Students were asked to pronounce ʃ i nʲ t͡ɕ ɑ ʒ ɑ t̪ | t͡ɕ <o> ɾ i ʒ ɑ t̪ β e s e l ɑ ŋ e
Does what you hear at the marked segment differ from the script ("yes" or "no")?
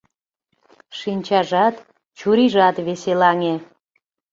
yes